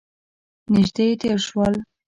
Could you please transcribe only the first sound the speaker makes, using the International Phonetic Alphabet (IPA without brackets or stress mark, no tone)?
n